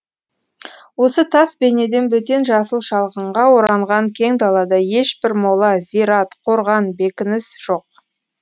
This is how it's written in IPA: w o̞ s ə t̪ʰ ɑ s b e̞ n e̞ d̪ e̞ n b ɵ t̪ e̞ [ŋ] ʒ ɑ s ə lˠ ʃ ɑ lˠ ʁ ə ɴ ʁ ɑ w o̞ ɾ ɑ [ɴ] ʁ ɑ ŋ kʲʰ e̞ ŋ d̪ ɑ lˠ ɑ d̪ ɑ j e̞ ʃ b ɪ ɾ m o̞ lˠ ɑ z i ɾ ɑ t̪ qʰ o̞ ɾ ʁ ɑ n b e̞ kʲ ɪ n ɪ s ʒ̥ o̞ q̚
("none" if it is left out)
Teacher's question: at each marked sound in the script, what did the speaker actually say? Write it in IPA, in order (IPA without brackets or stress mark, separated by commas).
n, ɴ